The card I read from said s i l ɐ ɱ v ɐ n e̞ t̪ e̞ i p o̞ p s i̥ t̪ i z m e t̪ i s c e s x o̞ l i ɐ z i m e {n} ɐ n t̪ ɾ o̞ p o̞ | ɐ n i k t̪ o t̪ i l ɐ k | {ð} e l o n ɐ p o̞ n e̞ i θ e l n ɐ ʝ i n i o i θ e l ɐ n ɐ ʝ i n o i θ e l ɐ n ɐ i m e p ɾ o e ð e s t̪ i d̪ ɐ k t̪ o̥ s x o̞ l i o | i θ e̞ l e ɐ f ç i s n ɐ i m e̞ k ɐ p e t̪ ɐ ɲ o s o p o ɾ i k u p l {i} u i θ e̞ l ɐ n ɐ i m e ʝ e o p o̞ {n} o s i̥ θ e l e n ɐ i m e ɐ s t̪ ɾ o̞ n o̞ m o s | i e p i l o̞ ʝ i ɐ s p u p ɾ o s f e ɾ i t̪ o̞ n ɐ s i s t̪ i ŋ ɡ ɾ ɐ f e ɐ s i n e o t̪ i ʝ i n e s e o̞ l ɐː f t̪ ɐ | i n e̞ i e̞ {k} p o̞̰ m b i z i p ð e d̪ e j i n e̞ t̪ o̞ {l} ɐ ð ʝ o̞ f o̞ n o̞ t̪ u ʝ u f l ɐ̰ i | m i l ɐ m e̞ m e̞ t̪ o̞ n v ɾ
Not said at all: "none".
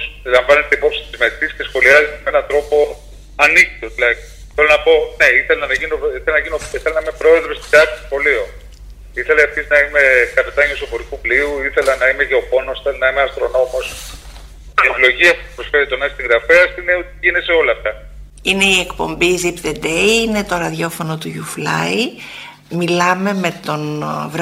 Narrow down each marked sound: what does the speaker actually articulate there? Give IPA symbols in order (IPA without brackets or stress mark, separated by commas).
n, θ, i, n, k, ɾ